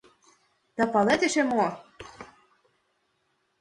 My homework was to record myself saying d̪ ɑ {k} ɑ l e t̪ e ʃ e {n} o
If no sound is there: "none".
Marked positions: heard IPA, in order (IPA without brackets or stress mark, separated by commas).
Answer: p, m